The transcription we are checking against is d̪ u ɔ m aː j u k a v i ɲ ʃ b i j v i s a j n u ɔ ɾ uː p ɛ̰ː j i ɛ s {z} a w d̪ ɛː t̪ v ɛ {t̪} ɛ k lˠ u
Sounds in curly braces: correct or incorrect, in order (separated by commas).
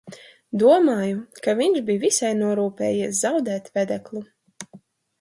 correct, incorrect